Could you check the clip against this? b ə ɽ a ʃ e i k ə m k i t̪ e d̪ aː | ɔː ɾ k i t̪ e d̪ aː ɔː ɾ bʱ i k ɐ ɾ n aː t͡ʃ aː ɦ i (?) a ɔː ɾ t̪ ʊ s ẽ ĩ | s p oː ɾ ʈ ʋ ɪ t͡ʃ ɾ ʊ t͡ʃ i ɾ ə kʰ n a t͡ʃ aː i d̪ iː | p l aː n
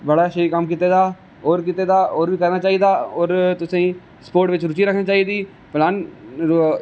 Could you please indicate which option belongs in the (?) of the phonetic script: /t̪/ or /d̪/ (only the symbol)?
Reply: d̪